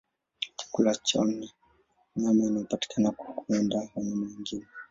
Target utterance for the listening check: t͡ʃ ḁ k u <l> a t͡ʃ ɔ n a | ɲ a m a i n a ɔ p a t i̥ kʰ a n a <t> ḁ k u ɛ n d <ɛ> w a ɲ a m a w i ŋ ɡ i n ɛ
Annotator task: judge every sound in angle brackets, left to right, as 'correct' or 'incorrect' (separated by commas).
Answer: correct, incorrect, incorrect